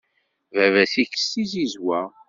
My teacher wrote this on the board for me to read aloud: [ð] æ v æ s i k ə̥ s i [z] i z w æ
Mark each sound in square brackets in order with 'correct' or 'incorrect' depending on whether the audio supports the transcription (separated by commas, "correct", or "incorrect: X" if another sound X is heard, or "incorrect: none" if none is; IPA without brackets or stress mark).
incorrect: v, correct